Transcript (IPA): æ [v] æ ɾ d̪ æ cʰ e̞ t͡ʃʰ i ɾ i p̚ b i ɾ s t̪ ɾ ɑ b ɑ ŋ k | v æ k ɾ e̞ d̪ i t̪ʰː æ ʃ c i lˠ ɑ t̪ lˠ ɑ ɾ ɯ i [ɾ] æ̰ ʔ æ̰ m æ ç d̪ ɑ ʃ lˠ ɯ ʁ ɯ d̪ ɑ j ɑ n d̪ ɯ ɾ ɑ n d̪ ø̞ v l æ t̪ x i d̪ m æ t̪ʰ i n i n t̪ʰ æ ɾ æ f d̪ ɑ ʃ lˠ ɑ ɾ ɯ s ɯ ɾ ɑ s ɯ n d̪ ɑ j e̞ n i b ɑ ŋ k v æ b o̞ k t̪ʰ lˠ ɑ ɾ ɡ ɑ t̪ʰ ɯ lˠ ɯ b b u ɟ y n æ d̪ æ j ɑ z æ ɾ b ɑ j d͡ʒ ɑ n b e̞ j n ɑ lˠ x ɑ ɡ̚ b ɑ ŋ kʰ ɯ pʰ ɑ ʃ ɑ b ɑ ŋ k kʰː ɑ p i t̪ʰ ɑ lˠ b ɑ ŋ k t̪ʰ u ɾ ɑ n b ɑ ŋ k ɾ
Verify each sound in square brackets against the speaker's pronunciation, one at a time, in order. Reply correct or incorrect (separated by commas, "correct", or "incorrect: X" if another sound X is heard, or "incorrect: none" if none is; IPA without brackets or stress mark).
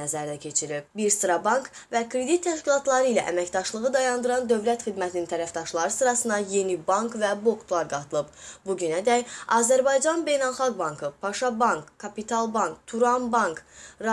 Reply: incorrect: z, incorrect: l